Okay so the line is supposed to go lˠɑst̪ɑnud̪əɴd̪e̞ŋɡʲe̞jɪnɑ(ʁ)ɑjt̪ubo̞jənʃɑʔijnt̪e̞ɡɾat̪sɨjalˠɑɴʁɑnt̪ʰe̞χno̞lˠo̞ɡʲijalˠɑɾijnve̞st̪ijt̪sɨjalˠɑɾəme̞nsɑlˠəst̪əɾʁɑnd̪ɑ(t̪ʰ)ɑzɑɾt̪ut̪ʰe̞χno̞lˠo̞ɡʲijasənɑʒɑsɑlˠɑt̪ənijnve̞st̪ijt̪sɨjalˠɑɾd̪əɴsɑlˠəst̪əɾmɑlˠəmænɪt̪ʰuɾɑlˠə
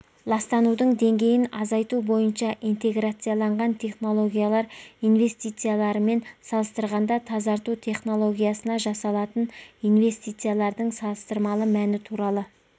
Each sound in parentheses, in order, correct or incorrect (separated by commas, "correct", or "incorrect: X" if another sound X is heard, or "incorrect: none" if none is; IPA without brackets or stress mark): incorrect: z, correct